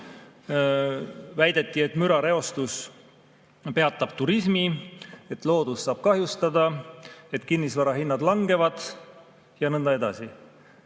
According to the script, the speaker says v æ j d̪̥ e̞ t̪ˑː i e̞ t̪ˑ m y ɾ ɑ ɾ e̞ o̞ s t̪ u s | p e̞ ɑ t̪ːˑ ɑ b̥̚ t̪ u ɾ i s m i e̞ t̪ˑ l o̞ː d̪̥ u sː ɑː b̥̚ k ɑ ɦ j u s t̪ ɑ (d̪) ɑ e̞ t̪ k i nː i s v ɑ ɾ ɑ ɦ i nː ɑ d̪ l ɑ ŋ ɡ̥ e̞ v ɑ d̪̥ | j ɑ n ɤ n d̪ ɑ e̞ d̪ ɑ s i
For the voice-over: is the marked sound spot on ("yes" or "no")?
yes